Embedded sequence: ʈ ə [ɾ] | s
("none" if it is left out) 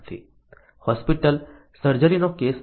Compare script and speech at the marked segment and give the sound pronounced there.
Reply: l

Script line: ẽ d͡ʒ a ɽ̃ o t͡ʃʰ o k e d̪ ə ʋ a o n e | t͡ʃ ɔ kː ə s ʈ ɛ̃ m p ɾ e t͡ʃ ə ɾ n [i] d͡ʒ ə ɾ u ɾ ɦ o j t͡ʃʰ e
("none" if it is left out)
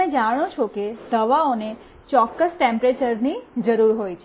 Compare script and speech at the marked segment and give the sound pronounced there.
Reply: i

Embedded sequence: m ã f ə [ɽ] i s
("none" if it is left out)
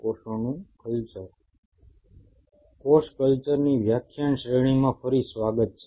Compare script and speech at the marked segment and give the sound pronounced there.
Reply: ɾ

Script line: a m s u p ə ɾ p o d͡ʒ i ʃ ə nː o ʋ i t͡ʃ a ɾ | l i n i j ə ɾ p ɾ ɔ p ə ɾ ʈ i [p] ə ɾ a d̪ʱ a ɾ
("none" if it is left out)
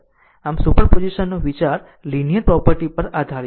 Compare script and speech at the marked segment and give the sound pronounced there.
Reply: p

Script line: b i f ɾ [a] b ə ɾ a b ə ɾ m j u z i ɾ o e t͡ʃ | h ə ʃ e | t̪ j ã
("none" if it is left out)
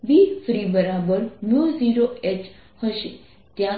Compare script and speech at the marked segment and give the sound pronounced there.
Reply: i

